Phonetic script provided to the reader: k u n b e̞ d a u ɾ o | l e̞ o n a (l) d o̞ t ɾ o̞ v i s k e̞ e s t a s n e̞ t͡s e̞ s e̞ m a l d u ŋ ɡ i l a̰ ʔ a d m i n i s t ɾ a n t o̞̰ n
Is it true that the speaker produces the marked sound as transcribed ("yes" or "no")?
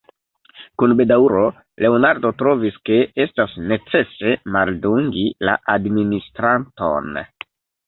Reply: no